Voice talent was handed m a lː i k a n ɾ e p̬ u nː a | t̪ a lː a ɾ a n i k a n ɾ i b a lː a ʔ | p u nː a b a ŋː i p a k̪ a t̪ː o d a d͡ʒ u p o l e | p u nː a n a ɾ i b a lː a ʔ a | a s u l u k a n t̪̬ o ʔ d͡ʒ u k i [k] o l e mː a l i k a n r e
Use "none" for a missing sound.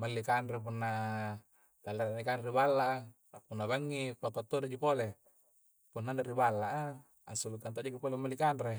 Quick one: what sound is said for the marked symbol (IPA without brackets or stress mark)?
p